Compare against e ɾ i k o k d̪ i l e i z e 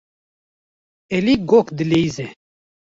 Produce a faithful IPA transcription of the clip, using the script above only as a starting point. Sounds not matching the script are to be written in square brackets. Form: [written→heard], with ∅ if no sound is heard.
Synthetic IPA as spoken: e [ɾ→l] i [k→ɡ] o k d̪ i l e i z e